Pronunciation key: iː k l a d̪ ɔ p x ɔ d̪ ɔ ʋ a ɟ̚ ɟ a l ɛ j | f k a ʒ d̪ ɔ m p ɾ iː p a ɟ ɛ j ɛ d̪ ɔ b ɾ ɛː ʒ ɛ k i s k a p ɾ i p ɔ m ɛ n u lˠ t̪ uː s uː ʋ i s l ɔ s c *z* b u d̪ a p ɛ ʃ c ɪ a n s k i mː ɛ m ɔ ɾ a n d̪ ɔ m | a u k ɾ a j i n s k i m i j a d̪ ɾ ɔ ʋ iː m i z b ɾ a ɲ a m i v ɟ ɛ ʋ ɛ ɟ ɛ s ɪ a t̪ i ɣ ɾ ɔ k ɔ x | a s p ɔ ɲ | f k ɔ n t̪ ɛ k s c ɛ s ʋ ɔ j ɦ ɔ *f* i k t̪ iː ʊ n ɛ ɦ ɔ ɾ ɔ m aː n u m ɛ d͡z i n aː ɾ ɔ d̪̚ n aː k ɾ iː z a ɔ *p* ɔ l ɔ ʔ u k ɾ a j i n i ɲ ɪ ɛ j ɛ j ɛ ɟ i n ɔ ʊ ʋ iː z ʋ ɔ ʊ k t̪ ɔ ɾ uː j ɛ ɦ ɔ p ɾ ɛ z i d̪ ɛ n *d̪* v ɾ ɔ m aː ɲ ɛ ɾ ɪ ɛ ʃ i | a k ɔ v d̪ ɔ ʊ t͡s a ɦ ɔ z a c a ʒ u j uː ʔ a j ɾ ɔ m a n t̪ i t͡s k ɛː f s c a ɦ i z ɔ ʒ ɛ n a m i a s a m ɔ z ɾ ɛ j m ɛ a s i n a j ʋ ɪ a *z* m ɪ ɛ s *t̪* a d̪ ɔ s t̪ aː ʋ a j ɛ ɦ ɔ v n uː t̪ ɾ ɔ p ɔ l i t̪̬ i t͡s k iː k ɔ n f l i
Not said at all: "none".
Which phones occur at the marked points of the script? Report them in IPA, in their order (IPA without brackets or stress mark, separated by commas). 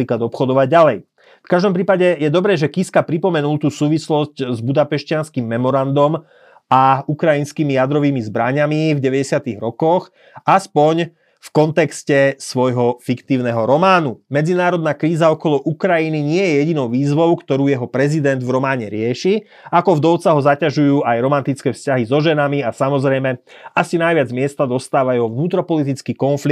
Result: z, f, k, d̪, d͡z, t̪